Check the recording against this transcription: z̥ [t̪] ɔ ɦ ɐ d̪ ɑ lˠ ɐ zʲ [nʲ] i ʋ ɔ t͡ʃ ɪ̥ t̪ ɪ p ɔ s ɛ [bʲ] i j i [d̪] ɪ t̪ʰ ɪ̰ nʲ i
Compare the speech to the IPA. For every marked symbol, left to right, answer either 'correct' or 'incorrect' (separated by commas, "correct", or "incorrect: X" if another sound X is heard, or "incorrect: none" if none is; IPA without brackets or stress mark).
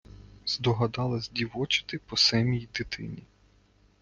incorrect: d̪, incorrect: dʲ, incorrect: mʲ, correct